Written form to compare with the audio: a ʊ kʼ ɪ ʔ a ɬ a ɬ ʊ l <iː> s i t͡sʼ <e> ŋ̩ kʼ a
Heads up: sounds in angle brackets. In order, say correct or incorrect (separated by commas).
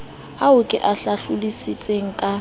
incorrect, correct